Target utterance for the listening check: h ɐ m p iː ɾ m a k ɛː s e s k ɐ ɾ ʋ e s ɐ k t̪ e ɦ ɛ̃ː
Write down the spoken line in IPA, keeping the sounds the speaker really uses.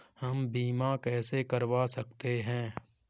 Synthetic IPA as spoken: h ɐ m b iː m a k ɛː s e k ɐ ɾ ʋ a s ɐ k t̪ e ɦ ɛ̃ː